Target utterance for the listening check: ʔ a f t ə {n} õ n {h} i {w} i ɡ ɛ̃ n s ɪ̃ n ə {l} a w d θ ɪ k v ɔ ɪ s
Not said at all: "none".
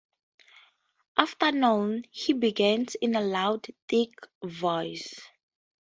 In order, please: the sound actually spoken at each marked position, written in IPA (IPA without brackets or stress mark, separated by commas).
n, h, b, l